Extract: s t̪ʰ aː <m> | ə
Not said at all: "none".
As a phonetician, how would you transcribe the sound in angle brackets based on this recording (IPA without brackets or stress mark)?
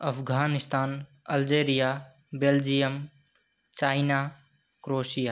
n